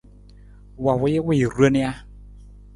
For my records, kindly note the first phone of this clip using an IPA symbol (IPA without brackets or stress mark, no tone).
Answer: w